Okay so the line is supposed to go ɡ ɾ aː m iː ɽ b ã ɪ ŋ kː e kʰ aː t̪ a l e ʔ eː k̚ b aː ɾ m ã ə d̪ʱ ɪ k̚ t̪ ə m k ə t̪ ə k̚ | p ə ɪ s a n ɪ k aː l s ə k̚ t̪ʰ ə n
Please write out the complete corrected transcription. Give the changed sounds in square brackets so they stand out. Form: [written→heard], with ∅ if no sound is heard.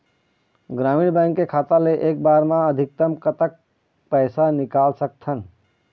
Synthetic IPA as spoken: ɡ ɾ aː m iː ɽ b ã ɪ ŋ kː e kʰ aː t̪ a l e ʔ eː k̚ b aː ɾ m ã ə d̪ʱ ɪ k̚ t̪ ə m k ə t̪ ə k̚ | p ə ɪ s a n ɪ k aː l s ə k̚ t̪ʰ ə n

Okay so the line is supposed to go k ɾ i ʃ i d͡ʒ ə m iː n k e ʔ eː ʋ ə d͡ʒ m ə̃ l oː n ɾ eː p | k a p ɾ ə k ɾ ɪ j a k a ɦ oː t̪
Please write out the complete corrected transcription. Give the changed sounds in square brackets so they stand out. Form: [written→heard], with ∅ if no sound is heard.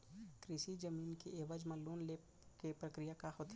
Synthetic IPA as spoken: k ɾ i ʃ i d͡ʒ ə m iː n k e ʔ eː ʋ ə d͡ʒ m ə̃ l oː n [ɾ→l] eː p | k [a→e] p ɾ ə k ɾ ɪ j a k a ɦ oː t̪

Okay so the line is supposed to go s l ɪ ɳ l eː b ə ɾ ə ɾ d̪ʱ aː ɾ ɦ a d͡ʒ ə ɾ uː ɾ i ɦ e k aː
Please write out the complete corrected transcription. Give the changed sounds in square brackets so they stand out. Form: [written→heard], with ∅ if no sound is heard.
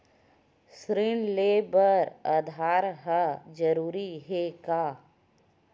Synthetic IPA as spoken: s [l→ɾ] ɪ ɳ l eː b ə ɾ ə [ɾ→∅] d̪ʱ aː ɾ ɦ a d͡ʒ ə ɾ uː ɾ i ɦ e k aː

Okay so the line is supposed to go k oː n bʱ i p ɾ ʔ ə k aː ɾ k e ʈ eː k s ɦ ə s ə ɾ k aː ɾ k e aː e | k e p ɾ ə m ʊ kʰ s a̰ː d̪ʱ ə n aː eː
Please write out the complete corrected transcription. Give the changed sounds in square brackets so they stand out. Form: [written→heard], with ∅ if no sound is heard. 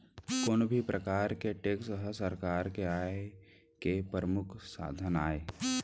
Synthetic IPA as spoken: k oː n bʱ i p ɾ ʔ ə k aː ɾ k e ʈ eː k s ɦ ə s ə ɾ k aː ɾ k e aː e | k e p ɾ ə m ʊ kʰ s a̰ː d̪ʱ ə n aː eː

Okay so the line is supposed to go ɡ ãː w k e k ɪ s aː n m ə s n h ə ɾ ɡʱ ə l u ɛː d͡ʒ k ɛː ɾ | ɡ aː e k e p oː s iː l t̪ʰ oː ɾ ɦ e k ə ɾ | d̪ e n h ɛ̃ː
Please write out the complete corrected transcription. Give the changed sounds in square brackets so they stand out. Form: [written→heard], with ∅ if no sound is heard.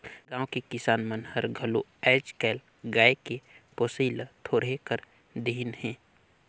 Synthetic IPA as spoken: ɡ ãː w k e k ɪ s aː n m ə [s→∅] n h ə ɾ ɡʱ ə l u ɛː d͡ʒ k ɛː [ɾ→l] | ɡ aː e k e p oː s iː l t̪ʰ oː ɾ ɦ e k ə ɾ | d̪ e n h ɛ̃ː

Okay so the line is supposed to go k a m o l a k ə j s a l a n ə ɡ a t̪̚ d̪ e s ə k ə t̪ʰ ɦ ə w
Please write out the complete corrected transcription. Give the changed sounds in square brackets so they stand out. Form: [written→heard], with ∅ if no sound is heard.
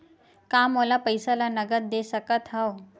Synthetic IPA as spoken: k a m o l a [k→p] ə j s a l a n ə ɡ [a→ə] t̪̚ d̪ e s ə k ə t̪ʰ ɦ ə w

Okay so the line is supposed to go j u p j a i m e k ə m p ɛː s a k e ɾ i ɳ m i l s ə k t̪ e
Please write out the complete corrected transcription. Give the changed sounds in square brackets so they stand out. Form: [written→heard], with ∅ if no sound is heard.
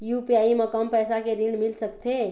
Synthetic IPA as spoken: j u p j a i m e k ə m p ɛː s a k e ɾ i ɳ m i l s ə k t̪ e

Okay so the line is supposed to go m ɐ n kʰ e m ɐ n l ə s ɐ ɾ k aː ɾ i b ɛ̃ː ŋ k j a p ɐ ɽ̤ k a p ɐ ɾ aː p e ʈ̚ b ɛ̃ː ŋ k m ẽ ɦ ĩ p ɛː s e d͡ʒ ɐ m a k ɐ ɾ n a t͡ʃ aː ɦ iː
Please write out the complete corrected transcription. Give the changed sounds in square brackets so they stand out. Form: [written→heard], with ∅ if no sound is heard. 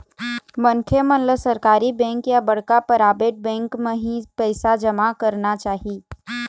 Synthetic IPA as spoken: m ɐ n kʰ e m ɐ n l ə s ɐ ɾ k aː ɾ i b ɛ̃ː ŋ k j a [p→b] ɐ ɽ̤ k a p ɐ ɾ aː [p→b] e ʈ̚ b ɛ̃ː ŋ k m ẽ ɦ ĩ p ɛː s [e→a] d͡ʒ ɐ m a k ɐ ɾ n a t͡ʃ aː ɦ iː

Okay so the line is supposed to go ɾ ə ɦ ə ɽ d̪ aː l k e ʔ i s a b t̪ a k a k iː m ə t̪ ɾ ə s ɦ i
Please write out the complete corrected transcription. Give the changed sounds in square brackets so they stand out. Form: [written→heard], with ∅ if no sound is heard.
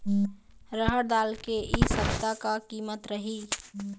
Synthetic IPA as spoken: ɾ ə ɦ ə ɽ d̪ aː l k e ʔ i s [a→ə] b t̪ a k a k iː m ə t̪ ɾ ə [s→∅] ɦ i

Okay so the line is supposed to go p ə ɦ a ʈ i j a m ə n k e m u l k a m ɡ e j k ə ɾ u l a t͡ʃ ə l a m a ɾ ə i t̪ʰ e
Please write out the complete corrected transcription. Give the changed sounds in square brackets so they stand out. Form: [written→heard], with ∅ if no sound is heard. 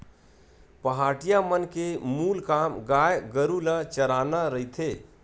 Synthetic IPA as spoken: p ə ɦ a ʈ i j a m ə n k e m u l k a m ɡ [e→a] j [k→ɡ] ə ɾ u l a t͡ʃ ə [l→ɾ] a [m→n] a ɾ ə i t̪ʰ e

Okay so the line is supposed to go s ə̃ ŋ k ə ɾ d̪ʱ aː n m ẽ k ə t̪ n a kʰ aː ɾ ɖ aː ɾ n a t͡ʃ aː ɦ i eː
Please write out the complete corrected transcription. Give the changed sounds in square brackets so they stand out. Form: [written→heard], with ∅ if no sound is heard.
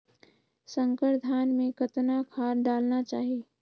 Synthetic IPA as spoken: s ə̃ ŋ k ə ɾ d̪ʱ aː n m ẽ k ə t̪ n a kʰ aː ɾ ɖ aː [ɾ→l] n a t͡ʃ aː ɦ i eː

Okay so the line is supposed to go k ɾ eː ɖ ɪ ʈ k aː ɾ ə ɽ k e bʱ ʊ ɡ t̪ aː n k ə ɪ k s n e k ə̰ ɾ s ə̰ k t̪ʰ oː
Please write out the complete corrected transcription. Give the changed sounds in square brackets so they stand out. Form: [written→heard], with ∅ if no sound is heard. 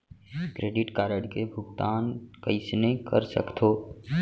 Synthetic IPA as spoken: k ɾ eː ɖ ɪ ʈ k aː ɾ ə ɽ k e bʱ ʊ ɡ t̪ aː n k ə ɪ [k→∅] s n e k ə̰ ɾ s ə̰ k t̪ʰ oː

